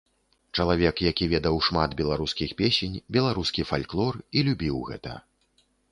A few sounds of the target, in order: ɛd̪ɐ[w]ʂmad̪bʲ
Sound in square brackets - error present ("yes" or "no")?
no